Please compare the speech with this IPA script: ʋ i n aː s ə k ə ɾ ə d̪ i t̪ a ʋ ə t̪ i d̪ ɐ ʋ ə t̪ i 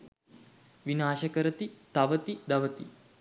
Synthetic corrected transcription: ʋ i n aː ʃ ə k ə ɾ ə t̪ i t̪ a ʋ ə t̪ i d̪ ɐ ʋ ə t̪ i